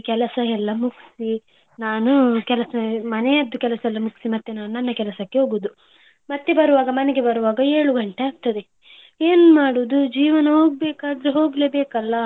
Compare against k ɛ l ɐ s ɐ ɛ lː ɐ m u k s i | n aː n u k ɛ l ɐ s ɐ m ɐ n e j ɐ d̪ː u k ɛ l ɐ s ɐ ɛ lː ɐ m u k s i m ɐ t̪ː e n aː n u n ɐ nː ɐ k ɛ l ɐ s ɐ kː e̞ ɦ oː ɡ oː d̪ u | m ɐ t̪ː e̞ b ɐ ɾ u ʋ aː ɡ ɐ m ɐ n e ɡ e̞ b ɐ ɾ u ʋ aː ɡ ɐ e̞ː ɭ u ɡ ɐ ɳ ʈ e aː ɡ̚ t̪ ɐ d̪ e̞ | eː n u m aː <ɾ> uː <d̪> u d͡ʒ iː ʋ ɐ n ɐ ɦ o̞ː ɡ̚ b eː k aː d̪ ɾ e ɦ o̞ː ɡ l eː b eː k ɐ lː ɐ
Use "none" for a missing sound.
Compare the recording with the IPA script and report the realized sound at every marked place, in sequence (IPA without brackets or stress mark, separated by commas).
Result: ɽ, d̪